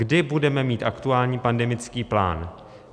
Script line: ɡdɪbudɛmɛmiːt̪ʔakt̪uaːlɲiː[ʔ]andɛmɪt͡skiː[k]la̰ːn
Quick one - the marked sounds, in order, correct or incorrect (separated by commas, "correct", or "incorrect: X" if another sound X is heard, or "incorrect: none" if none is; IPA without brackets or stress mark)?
incorrect: p, incorrect: p